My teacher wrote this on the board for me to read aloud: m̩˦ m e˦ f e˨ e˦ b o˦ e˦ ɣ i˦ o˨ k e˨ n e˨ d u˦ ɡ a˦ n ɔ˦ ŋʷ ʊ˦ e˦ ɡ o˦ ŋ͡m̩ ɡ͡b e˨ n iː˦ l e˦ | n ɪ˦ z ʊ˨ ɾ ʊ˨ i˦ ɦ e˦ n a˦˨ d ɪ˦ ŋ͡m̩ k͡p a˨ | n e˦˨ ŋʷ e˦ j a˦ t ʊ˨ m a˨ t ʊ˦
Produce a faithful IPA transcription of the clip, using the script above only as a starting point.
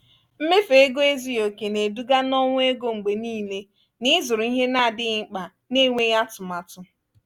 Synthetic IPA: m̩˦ m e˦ f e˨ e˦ ɡ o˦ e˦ z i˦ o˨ k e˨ n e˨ d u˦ ɡ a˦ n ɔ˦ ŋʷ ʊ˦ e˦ ɡ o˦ ŋ͡m̩ ɡ͡b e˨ n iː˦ l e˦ | n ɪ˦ z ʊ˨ ɾ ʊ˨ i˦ ɦ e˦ n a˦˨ d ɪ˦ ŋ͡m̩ k͡p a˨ | n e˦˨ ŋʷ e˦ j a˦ t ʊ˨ m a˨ t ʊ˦